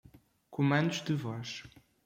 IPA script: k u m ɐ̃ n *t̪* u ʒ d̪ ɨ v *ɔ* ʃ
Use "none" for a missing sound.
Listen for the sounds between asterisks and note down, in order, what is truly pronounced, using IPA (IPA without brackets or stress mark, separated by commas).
d̪, ɔ